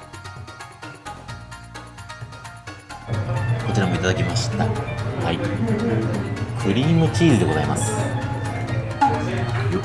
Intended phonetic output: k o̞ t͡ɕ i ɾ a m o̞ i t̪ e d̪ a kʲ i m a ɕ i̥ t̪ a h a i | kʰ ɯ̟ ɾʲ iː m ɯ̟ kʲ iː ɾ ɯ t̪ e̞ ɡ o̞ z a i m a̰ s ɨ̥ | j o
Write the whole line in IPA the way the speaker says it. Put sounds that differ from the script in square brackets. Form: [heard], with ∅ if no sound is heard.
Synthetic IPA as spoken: k o̞ t͡ɕ i ɾ a m o̞ i t̪ [a] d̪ a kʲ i m a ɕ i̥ t̪ a h a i | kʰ ɯ̟ ɾʲ iː m ɯ̟ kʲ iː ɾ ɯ [d̪] e̞ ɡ o̞ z a i m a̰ s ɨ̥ | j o